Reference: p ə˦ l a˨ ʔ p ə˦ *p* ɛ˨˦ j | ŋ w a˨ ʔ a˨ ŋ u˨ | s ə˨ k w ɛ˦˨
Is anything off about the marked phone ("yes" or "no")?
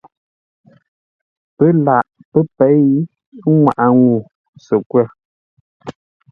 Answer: no